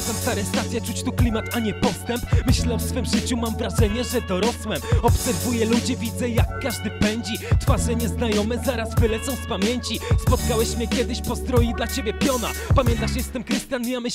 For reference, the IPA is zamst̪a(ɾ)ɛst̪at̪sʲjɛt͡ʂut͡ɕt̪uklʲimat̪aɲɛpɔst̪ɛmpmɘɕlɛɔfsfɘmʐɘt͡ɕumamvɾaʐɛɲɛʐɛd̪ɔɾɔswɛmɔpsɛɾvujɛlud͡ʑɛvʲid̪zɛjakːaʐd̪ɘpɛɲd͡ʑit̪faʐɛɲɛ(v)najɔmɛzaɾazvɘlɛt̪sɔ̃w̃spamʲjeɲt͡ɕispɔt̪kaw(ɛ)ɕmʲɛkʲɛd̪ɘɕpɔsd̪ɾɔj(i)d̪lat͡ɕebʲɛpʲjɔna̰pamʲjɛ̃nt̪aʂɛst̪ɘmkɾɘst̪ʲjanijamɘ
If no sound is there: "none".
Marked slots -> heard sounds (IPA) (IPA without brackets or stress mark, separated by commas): ɾ, z, ɛ, i